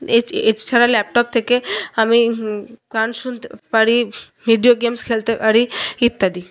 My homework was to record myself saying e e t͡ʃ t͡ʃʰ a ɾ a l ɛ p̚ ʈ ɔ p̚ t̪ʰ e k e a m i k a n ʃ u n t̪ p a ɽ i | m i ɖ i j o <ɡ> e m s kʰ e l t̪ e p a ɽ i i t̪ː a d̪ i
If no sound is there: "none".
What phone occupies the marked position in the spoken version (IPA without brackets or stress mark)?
ɡ